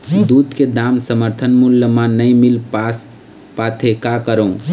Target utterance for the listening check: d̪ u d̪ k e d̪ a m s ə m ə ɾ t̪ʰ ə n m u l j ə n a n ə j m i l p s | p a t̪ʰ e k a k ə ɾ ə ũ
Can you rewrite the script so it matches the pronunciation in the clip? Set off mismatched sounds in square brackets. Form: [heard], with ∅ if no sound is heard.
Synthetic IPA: d̪ u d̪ k e d̪ a m s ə m ə ɾ t̪ʰ ə n m u l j ə [m] a n ə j m i l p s | p a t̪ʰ e k a k ə ɾ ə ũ